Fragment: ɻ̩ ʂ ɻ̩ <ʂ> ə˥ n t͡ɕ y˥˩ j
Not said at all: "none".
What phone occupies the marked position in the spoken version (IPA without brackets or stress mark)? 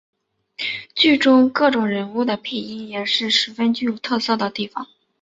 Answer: f